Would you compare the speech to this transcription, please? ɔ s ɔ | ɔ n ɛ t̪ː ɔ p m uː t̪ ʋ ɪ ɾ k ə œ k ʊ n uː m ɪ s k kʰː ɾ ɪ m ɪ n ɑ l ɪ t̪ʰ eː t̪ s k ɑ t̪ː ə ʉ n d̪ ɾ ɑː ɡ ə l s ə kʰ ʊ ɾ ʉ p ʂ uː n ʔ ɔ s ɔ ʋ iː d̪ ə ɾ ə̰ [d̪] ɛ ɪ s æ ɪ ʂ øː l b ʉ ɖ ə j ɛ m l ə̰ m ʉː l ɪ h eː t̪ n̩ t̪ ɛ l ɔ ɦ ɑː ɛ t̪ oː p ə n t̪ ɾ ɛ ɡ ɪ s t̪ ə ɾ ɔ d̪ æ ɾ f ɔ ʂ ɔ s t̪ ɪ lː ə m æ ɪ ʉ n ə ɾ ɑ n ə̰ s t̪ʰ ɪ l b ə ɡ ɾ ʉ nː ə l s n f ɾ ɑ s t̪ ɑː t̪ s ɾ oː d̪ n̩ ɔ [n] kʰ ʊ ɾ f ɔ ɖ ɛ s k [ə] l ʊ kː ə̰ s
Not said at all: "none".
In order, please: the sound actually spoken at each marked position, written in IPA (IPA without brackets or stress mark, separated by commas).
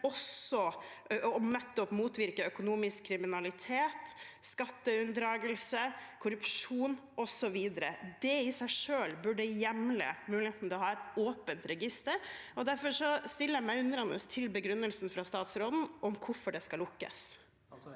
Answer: d̪, m, ɑ